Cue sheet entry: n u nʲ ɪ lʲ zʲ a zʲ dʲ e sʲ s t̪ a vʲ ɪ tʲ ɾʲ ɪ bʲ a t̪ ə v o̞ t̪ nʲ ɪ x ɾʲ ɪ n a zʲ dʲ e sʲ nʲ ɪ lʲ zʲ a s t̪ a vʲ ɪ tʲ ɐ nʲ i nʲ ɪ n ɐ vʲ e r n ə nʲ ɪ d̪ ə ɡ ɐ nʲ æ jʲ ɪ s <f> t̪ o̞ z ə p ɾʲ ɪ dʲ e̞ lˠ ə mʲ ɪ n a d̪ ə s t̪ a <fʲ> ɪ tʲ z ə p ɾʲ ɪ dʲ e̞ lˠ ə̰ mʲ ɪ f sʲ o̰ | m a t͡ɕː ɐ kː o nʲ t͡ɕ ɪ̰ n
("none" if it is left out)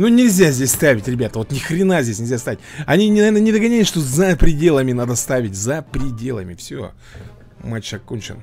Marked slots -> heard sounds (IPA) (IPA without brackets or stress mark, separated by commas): ʂ, vʲ